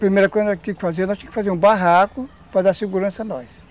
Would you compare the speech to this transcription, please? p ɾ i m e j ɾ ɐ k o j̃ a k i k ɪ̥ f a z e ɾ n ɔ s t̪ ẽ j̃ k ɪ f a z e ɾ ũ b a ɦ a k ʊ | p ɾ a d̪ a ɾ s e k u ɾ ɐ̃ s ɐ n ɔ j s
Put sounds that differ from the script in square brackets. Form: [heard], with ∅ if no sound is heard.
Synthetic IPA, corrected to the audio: p ɾ i m e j ɾ ɐ k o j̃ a k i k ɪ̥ f a z e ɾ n ɔ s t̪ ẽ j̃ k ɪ f a z e ɾ ũ b a ɦ a k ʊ | p ɾ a d̪ a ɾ s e [ɡ] u ɾ ɐ̃ s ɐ n ɔ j s